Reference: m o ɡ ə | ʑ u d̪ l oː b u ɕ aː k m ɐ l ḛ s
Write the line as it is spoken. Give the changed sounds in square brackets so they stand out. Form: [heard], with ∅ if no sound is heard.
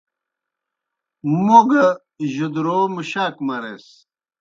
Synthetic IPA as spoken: m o ɡ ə | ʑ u d̪ [ɾ] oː [m] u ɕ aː k m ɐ [ɾ] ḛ s